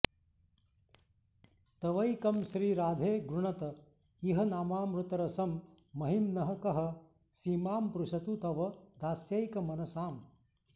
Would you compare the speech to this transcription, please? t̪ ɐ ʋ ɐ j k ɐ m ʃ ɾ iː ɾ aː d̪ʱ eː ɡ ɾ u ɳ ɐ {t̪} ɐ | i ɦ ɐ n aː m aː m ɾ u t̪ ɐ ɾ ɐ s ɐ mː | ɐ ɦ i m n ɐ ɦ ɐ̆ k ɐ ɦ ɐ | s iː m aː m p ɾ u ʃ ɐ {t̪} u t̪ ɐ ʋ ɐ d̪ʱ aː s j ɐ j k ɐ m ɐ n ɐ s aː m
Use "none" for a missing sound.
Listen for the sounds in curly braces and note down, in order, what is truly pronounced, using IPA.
t̪, t̪

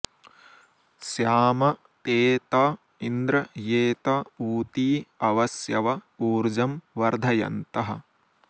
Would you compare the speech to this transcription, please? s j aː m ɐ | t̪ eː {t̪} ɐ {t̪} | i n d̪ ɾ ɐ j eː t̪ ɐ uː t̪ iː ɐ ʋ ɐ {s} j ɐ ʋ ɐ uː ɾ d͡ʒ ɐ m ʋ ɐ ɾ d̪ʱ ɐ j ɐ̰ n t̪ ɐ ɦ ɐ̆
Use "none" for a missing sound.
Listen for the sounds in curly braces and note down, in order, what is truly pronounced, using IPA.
t̪, none, s

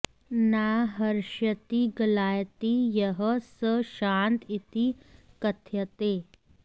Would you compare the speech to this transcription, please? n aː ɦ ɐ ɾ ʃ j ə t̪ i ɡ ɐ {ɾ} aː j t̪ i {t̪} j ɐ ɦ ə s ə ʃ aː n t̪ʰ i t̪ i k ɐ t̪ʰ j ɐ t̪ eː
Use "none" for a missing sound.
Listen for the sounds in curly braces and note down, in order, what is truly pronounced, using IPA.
l, none

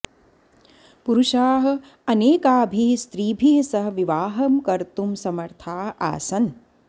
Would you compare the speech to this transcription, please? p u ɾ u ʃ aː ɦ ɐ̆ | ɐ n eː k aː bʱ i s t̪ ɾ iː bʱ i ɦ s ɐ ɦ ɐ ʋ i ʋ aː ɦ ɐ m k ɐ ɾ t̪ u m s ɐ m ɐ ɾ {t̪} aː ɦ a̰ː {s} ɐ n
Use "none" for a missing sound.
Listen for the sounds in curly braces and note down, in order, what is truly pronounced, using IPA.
t̪ʰ, s

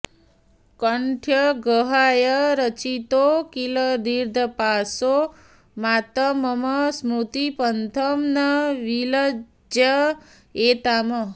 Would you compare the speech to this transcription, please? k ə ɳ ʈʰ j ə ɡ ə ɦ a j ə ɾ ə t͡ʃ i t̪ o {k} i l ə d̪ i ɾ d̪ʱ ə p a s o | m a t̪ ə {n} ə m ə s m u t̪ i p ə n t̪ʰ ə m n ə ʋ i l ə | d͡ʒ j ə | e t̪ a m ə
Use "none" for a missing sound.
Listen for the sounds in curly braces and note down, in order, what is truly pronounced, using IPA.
k, m

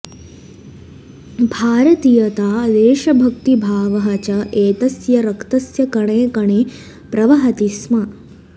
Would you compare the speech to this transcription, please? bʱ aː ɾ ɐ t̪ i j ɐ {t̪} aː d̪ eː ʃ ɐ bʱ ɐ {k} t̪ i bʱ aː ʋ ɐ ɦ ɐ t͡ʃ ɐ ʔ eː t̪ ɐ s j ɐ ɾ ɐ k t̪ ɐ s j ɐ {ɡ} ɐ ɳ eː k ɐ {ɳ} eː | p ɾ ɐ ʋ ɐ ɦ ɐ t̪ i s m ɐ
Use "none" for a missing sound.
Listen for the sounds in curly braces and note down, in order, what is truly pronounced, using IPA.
t̪, k, k, ɳ

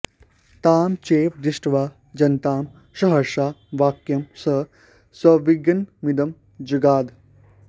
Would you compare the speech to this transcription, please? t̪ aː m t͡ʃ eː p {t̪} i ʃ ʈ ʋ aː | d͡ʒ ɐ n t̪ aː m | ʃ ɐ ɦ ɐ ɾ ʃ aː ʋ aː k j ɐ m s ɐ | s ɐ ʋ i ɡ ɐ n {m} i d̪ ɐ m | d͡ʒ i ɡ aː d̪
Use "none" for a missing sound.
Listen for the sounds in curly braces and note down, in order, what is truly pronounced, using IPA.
d̪, m

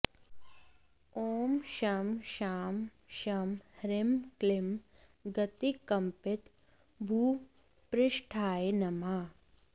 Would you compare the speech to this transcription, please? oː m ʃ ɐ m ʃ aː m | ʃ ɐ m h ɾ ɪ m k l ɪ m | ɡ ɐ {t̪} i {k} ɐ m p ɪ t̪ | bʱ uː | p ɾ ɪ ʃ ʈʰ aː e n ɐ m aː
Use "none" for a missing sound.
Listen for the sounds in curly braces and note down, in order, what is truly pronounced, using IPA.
t̪, k

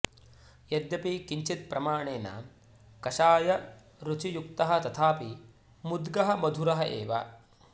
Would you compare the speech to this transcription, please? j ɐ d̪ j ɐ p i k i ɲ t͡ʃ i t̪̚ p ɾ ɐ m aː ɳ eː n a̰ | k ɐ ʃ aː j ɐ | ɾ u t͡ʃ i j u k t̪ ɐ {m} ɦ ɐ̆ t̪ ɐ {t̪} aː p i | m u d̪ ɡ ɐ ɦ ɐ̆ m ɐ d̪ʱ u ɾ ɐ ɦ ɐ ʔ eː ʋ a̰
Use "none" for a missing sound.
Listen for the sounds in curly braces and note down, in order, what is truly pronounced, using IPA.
none, t̪ʰ

